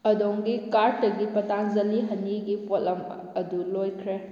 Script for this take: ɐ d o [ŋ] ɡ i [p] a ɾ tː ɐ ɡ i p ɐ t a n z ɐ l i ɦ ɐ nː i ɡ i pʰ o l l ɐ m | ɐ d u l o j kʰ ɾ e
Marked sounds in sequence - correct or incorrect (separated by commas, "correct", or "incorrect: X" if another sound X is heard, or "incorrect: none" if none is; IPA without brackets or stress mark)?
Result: correct, incorrect: k